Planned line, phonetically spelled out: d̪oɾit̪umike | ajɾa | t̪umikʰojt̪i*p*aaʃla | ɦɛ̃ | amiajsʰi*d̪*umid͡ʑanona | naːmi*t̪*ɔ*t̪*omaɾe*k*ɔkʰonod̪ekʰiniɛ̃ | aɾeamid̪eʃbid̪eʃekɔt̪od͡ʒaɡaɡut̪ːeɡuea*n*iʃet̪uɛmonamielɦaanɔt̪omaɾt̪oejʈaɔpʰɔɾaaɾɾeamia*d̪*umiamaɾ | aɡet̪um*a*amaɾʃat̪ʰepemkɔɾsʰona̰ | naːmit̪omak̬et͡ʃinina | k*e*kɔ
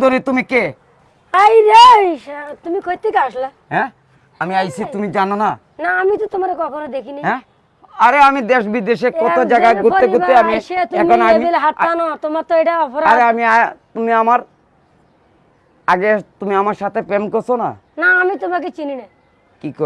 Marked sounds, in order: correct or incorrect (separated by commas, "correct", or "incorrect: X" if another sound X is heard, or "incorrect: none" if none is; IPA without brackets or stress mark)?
incorrect: k, incorrect: t̪, correct, correct, correct, incorrect: m, incorrect: t̪, incorrect: i, incorrect: i